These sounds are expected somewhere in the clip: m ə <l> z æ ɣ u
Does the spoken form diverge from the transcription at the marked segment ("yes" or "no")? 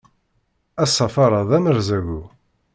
yes